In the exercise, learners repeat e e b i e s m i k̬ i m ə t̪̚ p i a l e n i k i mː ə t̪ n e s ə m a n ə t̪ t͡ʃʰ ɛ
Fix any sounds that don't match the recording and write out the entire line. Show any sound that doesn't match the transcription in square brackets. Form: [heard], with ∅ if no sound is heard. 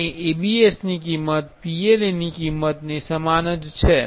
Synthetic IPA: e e b i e s [n] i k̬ i m ə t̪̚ p i [e] l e n i k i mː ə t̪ n e s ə m a n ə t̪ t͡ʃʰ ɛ

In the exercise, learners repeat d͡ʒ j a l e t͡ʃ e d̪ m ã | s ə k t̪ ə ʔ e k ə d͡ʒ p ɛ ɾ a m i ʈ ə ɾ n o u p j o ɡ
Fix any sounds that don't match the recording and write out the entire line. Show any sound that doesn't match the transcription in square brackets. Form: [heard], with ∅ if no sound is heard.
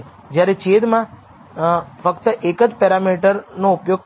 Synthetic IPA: d͡ʒ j a [ɾ] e t͡ʃ e d̪ m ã | [f] ə k t̪ ə ʔ e k ə d͡ʒ p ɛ ɾ a m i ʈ ə ɾ n o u p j o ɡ

